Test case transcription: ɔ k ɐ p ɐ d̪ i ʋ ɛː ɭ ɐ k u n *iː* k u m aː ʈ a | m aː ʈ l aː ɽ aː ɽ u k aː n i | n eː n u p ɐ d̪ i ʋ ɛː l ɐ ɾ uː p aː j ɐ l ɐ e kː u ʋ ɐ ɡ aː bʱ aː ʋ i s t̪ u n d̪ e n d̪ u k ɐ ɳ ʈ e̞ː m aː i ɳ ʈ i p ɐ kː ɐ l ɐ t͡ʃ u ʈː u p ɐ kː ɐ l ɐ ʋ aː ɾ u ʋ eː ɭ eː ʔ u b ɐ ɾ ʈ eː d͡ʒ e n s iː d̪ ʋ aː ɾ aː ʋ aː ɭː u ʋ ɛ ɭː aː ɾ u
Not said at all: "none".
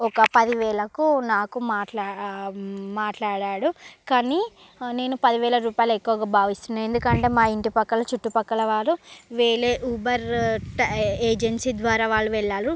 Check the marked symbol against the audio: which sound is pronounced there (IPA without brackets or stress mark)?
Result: aː